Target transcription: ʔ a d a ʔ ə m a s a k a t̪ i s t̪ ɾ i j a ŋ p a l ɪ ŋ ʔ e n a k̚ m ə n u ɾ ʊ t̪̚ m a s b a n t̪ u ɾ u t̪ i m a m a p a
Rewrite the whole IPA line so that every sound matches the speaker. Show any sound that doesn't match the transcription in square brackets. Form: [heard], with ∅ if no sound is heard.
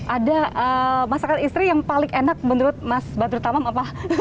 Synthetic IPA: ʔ a d a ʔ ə m a s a k a t̪ i s t̪ ɾ i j a ŋ p a l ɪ ŋ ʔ e n a k̚ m ə n u ɾ ʊ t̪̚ m a s b a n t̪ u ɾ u t̪ [a] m a m a p a